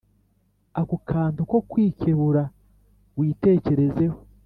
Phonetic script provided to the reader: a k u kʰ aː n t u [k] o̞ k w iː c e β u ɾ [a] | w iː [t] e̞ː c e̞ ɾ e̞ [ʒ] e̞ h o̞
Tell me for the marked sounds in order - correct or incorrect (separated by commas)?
correct, correct, correct, incorrect